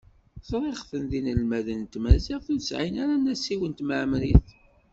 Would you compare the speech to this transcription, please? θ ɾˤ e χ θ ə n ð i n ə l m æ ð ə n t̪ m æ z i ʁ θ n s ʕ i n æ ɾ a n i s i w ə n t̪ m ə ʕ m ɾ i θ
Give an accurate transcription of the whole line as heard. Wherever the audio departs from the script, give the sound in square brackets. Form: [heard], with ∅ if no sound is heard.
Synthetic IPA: θ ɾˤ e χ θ ə n ð i n ə l m æ ð ə n t̪ m æ z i ʁ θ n s ʕ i n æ ɾ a n [æ] s i w ə n t̪ m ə ʕ m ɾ i θ